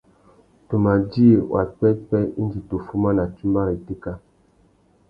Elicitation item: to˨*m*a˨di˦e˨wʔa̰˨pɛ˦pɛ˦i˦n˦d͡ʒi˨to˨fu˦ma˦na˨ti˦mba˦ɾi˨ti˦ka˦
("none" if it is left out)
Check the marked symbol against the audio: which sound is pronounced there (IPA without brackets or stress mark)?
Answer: m